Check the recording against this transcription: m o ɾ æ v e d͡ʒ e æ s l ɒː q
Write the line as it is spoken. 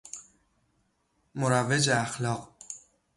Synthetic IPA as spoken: m o ɾ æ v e d͡ʒ e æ x l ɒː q